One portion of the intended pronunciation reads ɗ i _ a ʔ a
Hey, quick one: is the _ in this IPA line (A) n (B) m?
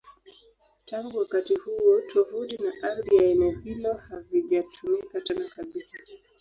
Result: A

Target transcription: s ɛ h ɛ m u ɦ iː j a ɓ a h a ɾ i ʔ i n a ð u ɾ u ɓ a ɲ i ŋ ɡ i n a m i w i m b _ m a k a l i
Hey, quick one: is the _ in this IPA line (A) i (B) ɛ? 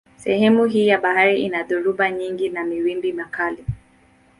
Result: A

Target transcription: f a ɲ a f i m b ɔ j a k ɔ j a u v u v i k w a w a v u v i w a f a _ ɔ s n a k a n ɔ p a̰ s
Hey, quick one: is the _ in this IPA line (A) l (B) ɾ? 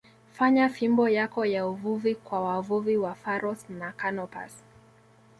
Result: B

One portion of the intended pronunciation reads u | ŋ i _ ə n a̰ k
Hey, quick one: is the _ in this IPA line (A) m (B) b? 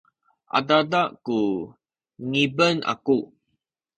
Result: B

